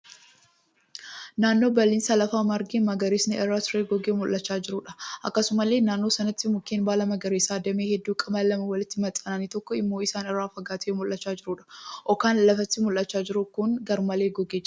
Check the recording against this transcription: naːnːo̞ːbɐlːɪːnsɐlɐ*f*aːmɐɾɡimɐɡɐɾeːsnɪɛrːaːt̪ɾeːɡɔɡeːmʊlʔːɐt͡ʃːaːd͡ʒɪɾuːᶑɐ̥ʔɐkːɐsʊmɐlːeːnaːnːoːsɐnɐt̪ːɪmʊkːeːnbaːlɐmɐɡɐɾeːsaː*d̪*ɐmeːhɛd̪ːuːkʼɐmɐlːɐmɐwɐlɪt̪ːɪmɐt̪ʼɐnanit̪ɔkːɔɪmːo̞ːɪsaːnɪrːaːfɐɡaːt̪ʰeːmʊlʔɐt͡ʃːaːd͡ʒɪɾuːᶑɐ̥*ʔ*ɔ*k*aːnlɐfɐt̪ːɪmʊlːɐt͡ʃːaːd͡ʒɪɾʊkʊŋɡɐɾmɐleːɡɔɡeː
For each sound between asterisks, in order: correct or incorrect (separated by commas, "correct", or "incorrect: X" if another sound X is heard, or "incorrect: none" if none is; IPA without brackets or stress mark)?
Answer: correct, correct, correct, correct